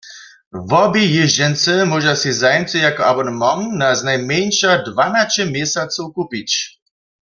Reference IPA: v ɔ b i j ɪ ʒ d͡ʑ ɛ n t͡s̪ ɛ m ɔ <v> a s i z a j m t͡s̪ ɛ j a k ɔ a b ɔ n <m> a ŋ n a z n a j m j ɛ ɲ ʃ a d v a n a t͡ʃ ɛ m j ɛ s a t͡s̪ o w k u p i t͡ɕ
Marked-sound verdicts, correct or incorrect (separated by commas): incorrect, correct